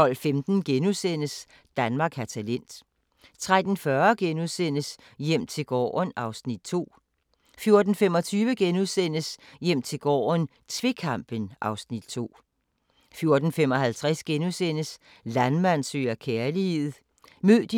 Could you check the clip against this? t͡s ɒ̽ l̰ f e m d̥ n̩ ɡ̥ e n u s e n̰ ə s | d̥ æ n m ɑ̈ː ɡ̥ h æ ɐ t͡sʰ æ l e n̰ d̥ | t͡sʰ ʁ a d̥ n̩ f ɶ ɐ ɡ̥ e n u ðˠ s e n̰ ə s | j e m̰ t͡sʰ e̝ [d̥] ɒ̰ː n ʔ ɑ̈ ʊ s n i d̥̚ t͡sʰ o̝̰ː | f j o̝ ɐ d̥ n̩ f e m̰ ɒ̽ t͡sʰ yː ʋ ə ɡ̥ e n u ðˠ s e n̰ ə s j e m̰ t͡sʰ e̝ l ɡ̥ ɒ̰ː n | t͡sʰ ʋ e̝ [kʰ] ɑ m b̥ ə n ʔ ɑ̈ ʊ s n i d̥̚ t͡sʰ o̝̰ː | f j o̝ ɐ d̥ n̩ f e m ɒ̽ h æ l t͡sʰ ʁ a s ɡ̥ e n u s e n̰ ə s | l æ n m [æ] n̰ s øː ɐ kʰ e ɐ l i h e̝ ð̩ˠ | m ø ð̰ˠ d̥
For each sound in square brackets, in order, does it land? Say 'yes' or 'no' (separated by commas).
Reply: no, yes, yes